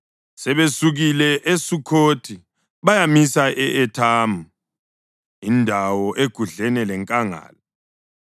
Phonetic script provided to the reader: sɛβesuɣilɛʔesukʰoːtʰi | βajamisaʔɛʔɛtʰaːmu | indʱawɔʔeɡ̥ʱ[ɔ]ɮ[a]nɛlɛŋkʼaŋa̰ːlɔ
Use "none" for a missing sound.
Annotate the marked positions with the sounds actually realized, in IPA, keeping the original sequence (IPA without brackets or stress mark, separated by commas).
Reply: u, ɛ